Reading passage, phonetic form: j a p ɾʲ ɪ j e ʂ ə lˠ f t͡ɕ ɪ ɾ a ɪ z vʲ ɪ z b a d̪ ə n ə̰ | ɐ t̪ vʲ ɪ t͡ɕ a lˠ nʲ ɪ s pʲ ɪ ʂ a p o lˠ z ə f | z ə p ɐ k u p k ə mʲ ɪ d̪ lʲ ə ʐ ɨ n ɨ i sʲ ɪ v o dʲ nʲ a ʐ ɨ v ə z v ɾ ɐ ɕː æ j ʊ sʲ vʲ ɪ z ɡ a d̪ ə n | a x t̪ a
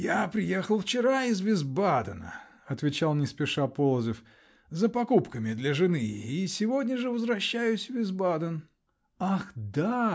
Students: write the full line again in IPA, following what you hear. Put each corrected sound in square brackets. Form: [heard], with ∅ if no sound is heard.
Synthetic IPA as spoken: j a p ɾʲ ɪ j e [x] ə lˠ f t͡ɕ ɪ ɾ a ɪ z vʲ ɪ z b a d̪ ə n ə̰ | ɐ t̪ vʲ ɪ t͡ɕ a lˠ nʲ ɪ s pʲ ɪ ʂ a p o lˠ z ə f | z ə p ɐ k u p k ə mʲ ɪ d̪ lʲ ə ʐ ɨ n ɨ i sʲ ɪ v o dʲ nʲ [ə] ʐ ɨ v ə z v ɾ ɐ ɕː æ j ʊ sʲ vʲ ɪ z [b] a d̪ ə n | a x [d̪] a

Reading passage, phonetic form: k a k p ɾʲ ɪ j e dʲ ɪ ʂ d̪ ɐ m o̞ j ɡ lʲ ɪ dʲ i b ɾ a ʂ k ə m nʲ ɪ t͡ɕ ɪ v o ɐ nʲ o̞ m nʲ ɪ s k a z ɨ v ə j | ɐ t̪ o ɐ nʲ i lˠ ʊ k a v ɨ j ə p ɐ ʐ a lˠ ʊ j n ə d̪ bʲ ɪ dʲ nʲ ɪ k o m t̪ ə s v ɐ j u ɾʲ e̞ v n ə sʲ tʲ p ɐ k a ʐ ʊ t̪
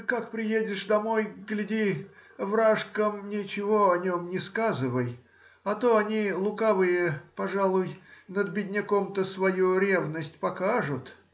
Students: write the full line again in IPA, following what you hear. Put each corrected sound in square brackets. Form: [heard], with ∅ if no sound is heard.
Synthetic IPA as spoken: k a k p ɾʲ ɪ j e dʲ ɪ ʂ d̪ ɐ m o̞ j ɡ lʲ ɪ dʲ i [v] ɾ a ʂ k ə m nʲ ɪ t͡ɕ ɪ v o ɐ nʲ o̞ m nʲ ɪ s k a z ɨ v ə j | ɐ t̪ o ɐ nʲ i lˠ ʊ k a v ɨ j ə p ɐ ʐ a lˠ ʊ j n ə d̪ bʲ ɪ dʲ nʲ ɪ k o m t̪ ə s v ɐ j u ɾʲ e̞ v n ə sʲ tʲ p ɐ k a ʐ ʊ t̪

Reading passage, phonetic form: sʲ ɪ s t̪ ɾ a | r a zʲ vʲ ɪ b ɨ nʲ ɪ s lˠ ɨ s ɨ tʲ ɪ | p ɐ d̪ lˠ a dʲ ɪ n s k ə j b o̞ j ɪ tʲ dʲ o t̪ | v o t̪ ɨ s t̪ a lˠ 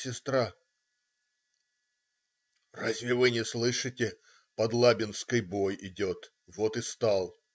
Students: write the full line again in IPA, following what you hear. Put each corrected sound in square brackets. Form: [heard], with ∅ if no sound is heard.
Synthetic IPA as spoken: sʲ ɪ s t̪ ɾ a | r a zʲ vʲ ɪ [v] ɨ nʲ ɪ s lˠ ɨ [ʂ] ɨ tʲ ɪ | p ɐ d̪ lˠ a [bʲ] ɪ n s k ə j b o̞ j ɪ [∅] dʲ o t̪ | v o t̪ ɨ s t̪ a lˠ

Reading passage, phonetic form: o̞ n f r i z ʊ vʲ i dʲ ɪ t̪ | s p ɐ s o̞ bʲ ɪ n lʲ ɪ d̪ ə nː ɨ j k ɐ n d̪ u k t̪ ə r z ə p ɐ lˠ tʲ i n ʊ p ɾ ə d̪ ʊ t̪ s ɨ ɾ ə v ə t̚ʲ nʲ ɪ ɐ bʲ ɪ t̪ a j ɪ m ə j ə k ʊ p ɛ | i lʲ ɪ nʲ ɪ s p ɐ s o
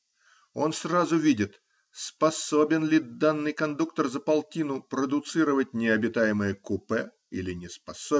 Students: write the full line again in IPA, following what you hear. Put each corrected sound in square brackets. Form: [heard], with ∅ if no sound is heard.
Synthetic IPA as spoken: o̞ n [s] r [a] z ʊ vʲ i dʲ ɪ t̪ | s p ɐ s o̞ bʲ ɪ n lʲ ɪ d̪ [a] nː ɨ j k ɐ n d̪ u k t̪ ə r z ə p ɐ lˠ tʲ i n ʊ p ɾ ə d̪ ʊ t̪ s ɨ ɾ ə v ə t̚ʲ nʲ ɪ ɐ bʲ ɪ t̪ a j ɪ m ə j ə k ʊ p ɛ | i lʲ ɪ nʲ ɪ s p ɐ s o

